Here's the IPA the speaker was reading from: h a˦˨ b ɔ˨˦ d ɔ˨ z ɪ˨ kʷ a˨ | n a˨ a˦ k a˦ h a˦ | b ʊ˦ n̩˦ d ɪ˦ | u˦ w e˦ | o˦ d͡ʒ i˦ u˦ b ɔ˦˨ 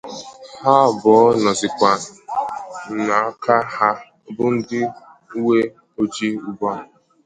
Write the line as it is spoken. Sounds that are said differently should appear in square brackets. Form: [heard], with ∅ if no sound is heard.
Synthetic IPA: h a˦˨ b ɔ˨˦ [n] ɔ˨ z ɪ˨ kʷ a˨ | n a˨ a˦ k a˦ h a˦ | b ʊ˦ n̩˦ d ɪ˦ | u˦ w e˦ | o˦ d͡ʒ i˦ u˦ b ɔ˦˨